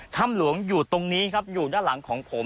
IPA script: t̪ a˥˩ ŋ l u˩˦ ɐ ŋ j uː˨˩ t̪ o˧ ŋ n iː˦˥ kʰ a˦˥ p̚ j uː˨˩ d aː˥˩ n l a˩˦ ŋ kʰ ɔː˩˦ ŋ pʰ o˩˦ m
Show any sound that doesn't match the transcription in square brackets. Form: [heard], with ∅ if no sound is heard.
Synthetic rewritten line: [t̪ʰ] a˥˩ [m] l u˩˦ [ə] ŋ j uː˨˩ t̪ o˧ ŋ n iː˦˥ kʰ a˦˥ p̚ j uː˨˩ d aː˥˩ n l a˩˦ ŋ kʰ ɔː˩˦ ŋ pʰ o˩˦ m

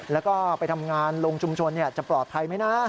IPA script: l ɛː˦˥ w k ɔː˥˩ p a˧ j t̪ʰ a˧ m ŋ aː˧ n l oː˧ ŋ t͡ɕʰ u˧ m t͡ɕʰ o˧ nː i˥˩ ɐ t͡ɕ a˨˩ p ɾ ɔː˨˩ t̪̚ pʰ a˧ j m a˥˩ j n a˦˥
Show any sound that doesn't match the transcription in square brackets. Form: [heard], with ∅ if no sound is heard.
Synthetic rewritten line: l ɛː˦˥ w k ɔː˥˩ p a˧ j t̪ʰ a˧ m ŋ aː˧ n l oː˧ ŋ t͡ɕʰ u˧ m t͡ɕʰ o˧ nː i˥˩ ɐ t͡ɕ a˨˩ p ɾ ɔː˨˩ t̪̚ pʰ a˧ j m [a˦˥] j n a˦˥

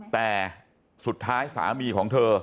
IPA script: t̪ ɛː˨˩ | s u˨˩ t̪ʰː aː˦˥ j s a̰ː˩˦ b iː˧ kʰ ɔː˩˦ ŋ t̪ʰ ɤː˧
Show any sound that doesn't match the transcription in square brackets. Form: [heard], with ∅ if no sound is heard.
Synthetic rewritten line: t̪ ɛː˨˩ | s u˨˩ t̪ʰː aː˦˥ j s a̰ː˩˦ [m] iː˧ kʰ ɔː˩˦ ŋ t̪ʰ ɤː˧

